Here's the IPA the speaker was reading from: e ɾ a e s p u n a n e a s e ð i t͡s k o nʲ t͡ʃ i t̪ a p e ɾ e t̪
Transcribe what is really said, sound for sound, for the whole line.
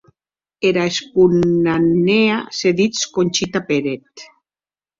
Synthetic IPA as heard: e ɾ a e s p u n a n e a s e ð i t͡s k o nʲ t͡ʃ i t̪ a p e ɾ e t̪